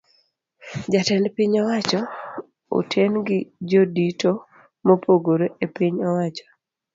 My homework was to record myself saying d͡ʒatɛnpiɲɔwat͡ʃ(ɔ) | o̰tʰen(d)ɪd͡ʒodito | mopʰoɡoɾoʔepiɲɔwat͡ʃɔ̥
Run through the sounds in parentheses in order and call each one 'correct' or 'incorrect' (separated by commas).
correct, incorrect